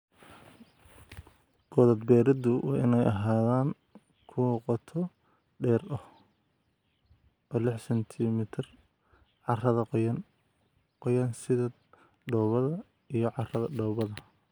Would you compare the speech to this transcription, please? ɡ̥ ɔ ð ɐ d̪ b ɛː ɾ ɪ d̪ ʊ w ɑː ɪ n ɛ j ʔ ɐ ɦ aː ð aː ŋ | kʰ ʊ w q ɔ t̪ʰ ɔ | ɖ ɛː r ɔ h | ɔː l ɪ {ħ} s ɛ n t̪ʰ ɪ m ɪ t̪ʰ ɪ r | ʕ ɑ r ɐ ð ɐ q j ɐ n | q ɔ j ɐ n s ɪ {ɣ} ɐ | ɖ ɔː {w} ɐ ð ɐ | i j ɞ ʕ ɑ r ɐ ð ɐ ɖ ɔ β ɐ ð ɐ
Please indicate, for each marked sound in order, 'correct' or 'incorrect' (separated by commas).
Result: correct, incorrect, incorrect